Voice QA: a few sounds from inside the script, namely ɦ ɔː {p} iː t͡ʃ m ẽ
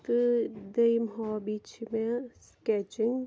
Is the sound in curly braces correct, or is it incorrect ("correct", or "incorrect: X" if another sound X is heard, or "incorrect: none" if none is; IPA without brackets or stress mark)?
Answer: incorrect: b